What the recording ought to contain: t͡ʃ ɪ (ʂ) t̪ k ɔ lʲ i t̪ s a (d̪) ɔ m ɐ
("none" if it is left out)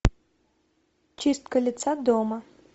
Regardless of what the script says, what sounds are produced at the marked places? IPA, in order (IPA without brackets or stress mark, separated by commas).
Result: s, d̪